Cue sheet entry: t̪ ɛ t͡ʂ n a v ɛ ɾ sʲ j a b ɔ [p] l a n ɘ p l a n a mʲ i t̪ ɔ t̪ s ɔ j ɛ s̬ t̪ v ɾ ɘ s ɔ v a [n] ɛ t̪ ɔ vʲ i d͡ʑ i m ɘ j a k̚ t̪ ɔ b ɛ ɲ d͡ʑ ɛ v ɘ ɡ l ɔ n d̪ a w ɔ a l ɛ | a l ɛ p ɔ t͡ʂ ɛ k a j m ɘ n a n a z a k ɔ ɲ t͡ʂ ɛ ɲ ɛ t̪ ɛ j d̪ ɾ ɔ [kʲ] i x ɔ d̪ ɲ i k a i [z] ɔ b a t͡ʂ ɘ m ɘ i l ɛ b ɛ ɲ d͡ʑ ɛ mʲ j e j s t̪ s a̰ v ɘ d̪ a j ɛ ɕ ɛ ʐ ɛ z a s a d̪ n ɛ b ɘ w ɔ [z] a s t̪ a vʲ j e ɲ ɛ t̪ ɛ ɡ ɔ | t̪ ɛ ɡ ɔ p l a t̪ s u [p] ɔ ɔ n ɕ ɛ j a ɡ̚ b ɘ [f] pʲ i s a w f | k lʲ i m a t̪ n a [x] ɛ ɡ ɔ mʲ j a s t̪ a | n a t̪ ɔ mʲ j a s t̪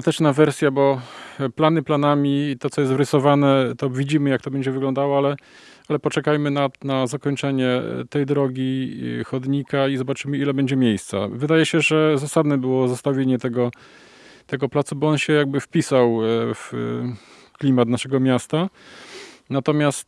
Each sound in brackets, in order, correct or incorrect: correct, correct, incorrect: ɡʲ, correct, correct, incorrect: b, correct, incorrect: ʂ

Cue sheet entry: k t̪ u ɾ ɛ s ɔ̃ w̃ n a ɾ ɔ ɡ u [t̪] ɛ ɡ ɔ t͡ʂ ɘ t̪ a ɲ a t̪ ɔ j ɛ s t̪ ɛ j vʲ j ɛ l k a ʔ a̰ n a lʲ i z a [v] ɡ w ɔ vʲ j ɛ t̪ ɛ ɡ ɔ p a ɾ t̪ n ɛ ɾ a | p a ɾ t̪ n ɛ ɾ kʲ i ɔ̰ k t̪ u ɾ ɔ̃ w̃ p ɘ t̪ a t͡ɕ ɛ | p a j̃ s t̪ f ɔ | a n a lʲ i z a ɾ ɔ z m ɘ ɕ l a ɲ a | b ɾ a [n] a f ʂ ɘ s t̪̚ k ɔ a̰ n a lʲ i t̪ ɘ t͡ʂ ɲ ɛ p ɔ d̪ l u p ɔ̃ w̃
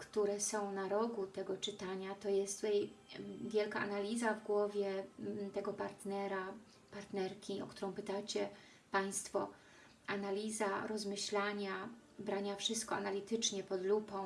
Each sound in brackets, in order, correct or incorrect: correct, correct, incorrect: ɲ

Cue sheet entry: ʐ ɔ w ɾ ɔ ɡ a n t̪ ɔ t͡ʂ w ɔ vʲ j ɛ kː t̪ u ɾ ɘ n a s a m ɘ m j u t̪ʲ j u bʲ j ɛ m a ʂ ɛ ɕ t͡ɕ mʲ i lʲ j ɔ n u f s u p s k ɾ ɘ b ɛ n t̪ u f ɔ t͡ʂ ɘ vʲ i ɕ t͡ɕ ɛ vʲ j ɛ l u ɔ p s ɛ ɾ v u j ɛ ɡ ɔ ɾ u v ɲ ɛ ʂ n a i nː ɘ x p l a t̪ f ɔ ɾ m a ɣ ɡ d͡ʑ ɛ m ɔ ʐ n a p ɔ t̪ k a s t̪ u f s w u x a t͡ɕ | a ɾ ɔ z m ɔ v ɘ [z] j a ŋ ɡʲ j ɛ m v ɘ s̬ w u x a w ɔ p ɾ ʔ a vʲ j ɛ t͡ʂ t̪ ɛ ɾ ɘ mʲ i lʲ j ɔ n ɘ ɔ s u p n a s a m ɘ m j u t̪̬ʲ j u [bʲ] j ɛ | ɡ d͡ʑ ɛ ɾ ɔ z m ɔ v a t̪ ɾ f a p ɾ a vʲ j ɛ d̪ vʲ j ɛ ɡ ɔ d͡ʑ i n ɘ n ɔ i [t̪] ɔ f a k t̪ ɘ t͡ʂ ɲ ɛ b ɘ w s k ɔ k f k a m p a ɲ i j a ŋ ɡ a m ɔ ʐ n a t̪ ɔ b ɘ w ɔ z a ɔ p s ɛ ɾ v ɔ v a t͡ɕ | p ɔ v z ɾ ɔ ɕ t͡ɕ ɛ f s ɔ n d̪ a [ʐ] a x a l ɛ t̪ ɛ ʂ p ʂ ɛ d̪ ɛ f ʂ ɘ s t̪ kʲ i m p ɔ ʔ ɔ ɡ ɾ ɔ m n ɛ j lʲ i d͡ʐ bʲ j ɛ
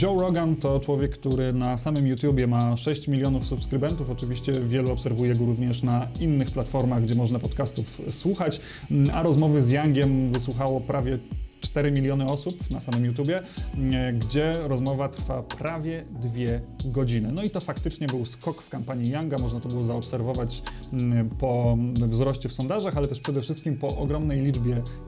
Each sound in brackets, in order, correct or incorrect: correct, correct, correct, correct

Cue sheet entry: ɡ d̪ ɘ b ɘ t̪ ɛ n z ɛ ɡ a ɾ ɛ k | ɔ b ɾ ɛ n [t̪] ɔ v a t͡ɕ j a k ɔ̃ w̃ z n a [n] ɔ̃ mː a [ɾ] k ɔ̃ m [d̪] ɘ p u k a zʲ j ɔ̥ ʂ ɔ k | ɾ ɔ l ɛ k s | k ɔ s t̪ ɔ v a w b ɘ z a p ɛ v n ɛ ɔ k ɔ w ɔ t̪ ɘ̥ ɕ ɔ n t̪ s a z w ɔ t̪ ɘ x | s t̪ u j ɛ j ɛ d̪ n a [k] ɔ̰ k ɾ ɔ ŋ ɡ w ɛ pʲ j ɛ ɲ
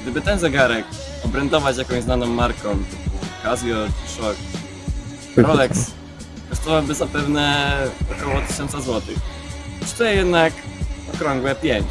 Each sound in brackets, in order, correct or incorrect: incorrect: d̪, correct, correct, incorrect: t̪, correct

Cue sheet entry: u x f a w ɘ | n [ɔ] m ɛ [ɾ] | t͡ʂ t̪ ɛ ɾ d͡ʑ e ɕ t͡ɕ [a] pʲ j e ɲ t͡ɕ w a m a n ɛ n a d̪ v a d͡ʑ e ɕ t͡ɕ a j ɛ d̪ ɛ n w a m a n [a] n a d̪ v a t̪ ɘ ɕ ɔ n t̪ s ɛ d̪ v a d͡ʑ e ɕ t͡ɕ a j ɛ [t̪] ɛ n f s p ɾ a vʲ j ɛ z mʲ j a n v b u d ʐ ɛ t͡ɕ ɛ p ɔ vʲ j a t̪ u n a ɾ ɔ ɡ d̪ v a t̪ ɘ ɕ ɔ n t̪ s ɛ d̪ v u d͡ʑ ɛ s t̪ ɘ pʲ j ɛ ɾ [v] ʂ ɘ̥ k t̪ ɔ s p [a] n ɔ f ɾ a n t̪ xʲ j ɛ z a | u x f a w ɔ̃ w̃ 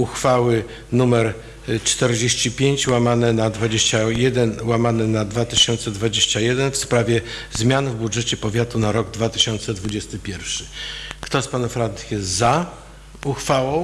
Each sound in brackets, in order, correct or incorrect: incorrect: u, correct, incorrect: i, incorrect: ɛ, incorrect: d̪, incorrect: f, correct

